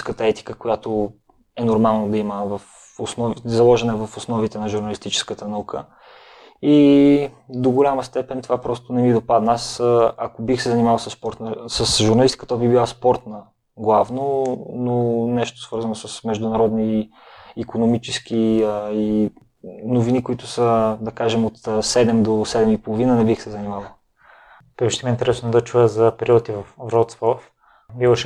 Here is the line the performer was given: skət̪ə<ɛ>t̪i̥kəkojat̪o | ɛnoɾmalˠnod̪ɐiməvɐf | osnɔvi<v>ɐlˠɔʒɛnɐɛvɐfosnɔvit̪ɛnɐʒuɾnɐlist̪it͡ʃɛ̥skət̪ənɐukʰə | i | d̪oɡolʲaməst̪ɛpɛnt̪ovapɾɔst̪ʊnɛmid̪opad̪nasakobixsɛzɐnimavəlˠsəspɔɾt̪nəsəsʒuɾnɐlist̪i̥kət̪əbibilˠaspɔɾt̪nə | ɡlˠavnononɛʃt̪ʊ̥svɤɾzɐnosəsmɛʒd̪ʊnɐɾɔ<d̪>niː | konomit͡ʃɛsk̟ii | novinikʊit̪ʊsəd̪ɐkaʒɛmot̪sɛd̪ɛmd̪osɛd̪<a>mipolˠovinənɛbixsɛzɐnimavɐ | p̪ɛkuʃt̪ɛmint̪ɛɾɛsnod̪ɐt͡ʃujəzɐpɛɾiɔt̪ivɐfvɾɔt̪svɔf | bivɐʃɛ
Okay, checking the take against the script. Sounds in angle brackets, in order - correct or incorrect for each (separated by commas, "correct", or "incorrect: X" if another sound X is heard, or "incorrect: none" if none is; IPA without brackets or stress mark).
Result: correct, incorrect: z, correct, incorrect: ɛ